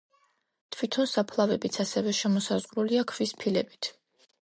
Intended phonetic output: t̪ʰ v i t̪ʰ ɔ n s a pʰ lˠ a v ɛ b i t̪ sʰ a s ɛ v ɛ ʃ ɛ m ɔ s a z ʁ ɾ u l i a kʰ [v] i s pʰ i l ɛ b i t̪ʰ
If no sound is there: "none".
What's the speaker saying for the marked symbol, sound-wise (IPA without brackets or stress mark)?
v